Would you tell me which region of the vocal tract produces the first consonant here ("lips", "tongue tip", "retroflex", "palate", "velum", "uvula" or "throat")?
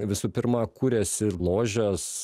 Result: lips